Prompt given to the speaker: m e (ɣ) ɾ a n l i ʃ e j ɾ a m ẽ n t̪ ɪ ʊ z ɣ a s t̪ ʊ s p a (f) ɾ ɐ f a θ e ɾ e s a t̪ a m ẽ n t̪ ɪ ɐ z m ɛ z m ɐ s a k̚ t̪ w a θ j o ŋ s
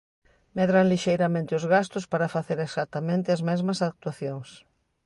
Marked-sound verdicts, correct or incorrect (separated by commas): incorrect, incorrect